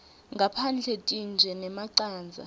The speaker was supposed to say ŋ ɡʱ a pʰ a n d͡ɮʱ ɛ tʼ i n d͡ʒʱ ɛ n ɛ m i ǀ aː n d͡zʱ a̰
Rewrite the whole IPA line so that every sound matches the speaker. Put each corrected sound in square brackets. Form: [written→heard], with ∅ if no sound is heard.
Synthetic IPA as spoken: ŋ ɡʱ a pʰ a n d͡ɮʱ ɛ tʼ i n d͡ʒʱ ɛ n ɛ m [i→a] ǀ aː n d͡zʱ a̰